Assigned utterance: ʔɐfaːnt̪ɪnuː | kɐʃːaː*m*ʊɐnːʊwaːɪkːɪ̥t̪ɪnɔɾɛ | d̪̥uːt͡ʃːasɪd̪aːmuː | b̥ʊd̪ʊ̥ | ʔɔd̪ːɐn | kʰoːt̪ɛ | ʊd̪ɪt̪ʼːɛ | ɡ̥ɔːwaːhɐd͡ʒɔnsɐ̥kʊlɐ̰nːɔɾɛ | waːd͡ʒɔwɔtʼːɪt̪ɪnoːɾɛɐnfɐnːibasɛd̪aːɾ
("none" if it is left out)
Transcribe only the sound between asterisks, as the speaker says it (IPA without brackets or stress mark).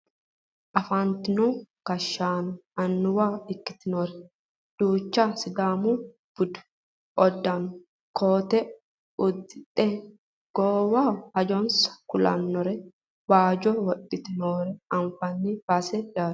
n